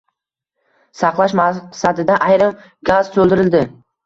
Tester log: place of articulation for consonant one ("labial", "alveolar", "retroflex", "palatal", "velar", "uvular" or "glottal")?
alveolar